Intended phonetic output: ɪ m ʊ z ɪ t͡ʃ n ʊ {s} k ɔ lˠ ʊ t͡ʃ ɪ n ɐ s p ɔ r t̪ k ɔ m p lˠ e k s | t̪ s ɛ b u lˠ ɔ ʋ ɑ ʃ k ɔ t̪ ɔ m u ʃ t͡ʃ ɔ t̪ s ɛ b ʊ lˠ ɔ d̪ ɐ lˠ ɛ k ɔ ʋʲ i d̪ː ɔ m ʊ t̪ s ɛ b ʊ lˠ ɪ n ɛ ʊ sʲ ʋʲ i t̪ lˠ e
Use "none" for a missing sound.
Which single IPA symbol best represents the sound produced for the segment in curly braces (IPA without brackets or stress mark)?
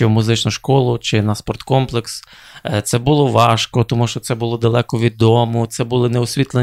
ʃ